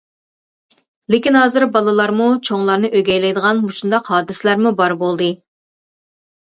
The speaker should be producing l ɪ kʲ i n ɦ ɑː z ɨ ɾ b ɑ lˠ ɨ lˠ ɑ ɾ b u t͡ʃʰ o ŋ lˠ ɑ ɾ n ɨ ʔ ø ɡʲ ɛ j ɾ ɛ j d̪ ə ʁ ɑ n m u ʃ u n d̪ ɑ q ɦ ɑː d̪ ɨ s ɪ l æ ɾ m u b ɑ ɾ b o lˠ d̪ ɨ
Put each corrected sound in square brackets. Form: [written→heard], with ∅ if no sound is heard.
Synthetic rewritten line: l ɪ kʲ i n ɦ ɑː z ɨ ɾ b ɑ lˠ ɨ lˠ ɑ ɾ [b→m] u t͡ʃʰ o ŋ lˠ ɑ ɾ n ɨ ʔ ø ɡʲ ɛ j [ɾ→l] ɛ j d̪ ə ʁ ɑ n m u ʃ u n d̪ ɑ q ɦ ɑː d̪ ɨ s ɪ l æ ɾ m u b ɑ ɾ b o lˠ d̪ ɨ